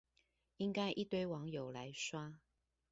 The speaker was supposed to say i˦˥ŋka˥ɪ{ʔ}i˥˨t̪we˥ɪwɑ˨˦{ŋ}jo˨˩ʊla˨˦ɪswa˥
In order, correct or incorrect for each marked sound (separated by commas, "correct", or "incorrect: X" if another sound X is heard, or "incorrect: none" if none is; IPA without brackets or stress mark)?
correct, correct